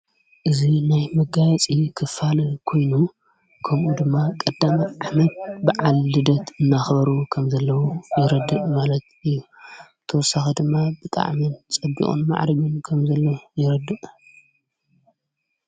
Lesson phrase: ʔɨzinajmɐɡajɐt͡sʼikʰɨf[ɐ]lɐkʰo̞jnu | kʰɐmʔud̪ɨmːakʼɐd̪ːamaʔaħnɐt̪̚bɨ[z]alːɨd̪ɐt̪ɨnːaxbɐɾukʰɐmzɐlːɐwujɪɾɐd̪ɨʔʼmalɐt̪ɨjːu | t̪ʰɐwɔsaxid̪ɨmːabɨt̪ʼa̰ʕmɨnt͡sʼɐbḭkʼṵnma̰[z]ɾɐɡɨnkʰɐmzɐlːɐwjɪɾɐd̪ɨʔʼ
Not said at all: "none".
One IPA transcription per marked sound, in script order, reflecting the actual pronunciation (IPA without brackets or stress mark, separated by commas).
a, ʕ, ʕ